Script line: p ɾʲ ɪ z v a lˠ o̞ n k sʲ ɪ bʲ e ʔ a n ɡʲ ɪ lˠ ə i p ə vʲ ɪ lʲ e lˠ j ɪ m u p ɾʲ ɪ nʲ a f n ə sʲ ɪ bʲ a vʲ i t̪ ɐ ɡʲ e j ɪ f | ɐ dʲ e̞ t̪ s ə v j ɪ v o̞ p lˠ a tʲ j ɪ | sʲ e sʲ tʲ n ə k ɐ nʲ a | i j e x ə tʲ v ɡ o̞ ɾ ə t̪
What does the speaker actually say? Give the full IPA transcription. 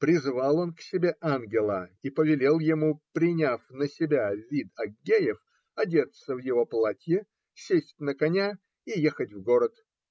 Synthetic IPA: p ɾʲ ɪ z v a lˠ o̞ n k sʲ ɪ bʲ e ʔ a n ɡʲ ɪ lˠ ə i p ə vʲ ɪ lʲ e lˠ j ɪ m u p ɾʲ ɪ nʲ a f n ə sʲ ɪ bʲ a vʲ i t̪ ɐ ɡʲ e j ɪ f | ɐ dʲ e̞ t̪ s ə v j ɪ v o̞ p lˠ a tʲ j ɪ | sʲ e sʲ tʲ n ə k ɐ nʲ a | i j e x ə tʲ v ɡ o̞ ɾ ə t̪